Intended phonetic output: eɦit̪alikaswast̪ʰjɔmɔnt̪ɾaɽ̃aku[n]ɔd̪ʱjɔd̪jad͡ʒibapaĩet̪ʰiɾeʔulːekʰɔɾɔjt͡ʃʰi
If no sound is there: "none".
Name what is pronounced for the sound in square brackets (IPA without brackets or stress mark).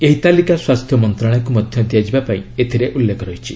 m